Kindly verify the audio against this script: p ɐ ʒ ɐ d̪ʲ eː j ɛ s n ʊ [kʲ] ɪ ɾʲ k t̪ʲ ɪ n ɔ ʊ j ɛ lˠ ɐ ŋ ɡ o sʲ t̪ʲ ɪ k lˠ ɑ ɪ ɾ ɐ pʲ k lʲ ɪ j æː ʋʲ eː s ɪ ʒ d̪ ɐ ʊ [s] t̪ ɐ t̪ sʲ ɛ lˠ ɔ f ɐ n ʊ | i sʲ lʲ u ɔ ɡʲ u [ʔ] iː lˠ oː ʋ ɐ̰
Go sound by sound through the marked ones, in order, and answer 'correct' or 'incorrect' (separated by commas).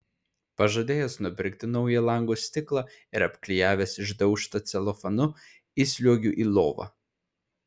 incorrect, incorrect, correct